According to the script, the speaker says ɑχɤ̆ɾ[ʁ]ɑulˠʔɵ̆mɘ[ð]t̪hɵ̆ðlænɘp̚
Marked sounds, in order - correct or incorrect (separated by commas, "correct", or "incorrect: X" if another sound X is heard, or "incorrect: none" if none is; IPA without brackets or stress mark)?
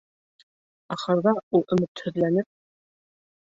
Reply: incorrect: ð, incorrect: none